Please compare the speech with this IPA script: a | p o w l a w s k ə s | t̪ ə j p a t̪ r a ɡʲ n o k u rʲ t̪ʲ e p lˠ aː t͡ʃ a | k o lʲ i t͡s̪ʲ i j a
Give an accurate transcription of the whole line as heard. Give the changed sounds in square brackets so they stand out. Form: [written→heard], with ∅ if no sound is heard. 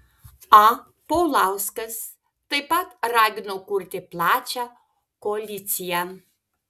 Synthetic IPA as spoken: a | p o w l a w s k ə s | t̪ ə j p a t̪ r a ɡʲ n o k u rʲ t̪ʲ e p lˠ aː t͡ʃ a | k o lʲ i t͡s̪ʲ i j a